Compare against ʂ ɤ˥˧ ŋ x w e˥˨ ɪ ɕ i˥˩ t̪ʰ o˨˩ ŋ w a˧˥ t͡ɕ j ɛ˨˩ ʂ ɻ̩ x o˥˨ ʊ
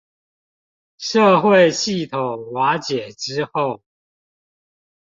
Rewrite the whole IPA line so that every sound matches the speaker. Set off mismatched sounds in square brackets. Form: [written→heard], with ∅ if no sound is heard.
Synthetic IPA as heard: ʂ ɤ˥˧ [ŋ→∅] x w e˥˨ ɪ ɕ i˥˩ t̪ʰ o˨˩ ŋ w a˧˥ t͡ɕ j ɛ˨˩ [ʂ→ʈ͡ʂ] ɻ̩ x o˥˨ ʊ